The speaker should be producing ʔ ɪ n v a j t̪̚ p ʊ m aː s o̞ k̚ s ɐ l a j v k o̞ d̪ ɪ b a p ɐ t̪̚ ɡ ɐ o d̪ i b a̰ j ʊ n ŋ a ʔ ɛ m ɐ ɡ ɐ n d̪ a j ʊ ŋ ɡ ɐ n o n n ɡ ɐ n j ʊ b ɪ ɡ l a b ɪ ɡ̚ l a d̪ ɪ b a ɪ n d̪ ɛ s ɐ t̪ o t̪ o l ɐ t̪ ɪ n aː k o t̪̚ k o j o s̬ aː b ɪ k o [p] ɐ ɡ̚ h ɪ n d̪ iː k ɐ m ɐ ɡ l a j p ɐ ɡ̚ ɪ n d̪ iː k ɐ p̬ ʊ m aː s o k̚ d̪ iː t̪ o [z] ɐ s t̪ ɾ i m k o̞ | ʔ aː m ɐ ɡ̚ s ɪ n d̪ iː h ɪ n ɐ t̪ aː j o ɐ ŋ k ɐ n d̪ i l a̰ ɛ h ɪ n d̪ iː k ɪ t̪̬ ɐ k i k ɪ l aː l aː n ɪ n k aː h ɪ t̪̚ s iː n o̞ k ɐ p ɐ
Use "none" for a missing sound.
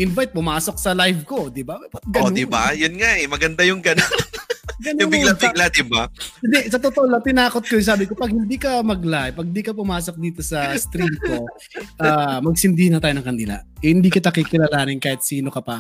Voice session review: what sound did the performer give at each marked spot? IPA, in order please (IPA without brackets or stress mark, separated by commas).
p, s